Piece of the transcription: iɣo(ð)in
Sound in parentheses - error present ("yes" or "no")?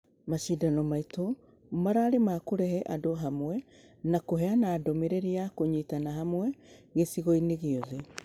yes